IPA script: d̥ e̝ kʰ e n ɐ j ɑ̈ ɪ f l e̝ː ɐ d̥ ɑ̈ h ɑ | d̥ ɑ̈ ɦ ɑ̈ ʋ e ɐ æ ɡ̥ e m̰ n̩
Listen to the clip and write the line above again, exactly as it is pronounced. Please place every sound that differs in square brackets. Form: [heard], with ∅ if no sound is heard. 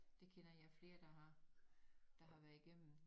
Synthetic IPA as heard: d̥ e̝ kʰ e n ɐ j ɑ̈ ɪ f l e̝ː ɐ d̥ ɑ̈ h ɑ | d̥ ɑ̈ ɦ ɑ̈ ʋ [æ] ɐ [i] ɡ̥ e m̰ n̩